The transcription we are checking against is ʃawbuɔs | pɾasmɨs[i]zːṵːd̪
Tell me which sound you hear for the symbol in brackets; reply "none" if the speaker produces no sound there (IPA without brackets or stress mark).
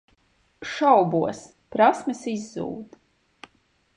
i